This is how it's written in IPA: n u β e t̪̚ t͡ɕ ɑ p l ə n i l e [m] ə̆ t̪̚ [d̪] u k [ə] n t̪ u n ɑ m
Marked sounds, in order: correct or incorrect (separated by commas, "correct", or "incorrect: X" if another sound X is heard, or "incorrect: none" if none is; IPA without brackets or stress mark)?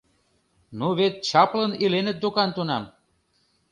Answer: incorrect: n, correct, incorrect: ɑ